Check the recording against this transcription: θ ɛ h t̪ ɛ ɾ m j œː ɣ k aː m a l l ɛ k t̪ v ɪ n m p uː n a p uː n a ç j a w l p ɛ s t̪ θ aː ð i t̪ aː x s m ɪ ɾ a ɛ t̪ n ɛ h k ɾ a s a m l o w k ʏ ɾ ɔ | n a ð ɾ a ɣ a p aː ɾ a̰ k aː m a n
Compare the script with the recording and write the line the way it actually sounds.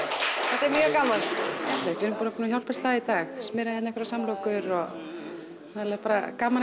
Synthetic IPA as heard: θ ɛ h t̪ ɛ ɾ m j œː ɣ k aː m a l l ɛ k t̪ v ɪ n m p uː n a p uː n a ç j a w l p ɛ s t̪ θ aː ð i t̪ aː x s m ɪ ɾ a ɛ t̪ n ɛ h k ɾ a s a m l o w k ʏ ɾ ɔ | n a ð l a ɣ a p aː ɾ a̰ k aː m a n

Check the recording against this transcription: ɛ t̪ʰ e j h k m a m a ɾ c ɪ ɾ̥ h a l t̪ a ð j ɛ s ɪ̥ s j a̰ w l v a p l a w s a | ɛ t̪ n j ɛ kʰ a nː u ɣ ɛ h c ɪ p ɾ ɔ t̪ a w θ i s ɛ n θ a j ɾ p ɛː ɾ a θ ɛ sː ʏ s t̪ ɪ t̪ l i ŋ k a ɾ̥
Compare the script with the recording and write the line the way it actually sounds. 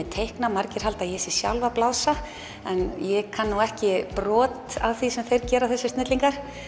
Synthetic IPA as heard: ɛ t̪ʰ e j h k n a m a ɾ c ɪ ɾ̥ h a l t̪ a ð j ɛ s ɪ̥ s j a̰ w l v a p l a w s a | ɛ n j ɛ kʰ a nː u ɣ ɛ h c ɪ p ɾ ɔː t̪ a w θ i s ɛ m θ e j ɾ c ɛː ɾ a θ ɛ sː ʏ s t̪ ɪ t̪ l i ŋ k a ɾ̥

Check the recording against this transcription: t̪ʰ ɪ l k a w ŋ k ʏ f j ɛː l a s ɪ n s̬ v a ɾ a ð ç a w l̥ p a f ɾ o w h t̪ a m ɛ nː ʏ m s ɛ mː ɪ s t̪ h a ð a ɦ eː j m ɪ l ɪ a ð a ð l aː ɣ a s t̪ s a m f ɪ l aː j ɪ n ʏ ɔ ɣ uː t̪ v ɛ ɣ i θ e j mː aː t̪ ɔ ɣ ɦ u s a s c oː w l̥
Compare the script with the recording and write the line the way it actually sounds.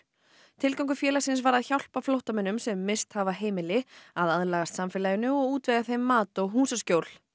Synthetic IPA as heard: t̪ʰ ɪ l k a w ŋ k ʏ f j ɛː l a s ɪ n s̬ v a ɾ a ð ç a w l̥ p a f l o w h t̪ a m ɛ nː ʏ m s ɛ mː ɪ s t̪ h a v a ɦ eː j m ɪ l ɪ a ð a ð l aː ɣ a s t̪ s a m f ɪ l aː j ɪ n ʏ ɔ ɣ uː t̪ v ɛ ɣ a θ e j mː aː t̪ ɔ ɣ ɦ uː s a s c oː w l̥

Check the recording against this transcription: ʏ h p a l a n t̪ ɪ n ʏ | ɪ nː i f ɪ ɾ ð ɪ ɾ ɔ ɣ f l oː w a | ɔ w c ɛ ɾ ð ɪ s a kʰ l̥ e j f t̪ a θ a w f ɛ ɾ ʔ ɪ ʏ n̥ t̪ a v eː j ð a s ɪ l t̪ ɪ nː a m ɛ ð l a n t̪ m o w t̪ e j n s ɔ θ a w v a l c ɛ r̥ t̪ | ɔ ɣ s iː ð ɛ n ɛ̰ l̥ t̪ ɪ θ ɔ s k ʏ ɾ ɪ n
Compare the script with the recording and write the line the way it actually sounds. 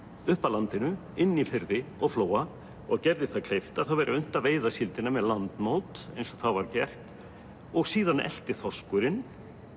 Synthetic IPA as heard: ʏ h p a l a n t̪ ɪ n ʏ | ɪ nː i f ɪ ɾ ð ɪ ɔ ɣ f l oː w a | ɔ ɣ c ɛ ɾ ð ɪ θ a kʰ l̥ e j f t̪ a θ a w v ɛ ɾ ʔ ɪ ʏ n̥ t̪ a v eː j ð a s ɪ l t̪ ɪ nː a m ɛ ð l a n t̪ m o w t̪ e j n s ɔ θ a w v a ɾ c ɛ r̥ t̪ | ɔ ɣ s iː ð a n ɛ̰ l̥ t̪ ɪ θ ɔ s k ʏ ɾ ɪ n

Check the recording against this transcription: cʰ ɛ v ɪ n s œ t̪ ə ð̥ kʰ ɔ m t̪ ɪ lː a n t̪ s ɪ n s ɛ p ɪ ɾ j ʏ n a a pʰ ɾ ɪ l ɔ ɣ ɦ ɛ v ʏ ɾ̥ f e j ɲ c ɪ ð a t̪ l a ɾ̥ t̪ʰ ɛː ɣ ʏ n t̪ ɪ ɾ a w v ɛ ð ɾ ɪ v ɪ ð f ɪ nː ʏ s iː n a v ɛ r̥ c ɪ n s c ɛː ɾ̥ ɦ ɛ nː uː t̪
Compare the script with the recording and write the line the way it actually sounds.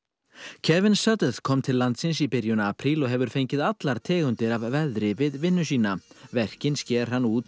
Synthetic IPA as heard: cʰ ɛ v ɪ n s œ t̪ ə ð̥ kʰ ɔ m t̪ʰ ɪ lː a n t̪ s ɪ n s i p ɪ ɾ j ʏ n a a pʰ ɾ i l ɔ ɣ ɦ ɛ v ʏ ɾ̥ f e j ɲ c ɪ ð a t̪ l a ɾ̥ t̪ʰ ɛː ɣ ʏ n t̪ ɪ ɾ a v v ɛ ð ɾ ɪ v ɪ ð v ɪ nː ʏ s iː n a v ɛ r̥ c ɪ n s c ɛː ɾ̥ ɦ a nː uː t̪

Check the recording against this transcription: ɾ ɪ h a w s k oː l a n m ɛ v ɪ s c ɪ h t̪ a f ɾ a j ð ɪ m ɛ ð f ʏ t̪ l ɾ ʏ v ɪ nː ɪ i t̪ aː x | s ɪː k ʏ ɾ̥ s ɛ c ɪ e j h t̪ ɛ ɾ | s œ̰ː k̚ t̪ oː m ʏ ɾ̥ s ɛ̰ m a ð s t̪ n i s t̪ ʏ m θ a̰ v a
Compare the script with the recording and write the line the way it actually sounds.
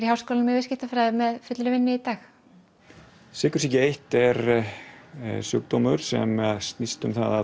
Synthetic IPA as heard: ɾ i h a w s k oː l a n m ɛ v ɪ s c ɪ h t̪ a f ɾ a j ð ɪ m ɛ ð f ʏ t̪ l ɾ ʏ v ɪ nː ɪ i t̪ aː x | s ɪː k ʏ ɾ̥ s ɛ c ɪ e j h t̪ ɛ ɾ | s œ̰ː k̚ t̪ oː m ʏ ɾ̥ s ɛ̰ m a ð s t̪ n i s t̪ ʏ m θ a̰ ð a

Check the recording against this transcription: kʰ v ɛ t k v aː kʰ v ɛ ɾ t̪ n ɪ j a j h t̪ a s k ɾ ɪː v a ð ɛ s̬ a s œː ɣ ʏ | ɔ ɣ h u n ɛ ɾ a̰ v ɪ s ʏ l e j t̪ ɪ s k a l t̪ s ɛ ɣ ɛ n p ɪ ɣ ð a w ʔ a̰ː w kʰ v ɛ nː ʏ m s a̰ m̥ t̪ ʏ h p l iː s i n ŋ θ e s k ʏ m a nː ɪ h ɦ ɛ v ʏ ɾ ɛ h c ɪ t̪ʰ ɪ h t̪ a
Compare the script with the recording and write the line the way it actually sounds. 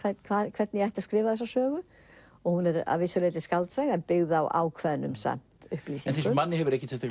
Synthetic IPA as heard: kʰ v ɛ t kʰ v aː kʰ v ɛ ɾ t̪ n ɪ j a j h t̪ a s k ɾ ɪː v a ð ɛ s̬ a s œː ɣ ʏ | ɔ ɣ h u n ɛ ɾ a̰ v ɪ s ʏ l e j t̪ ɪ s k a l t̪ s ɛ ɣ ɛ n p ɪ ɣ ð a w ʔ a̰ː w kʰ v ɛ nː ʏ m s a̰ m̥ t̪ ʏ h p l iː s i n ŋ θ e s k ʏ m a nː ɪ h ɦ ɛ v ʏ ɾ ɛ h c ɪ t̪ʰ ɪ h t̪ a

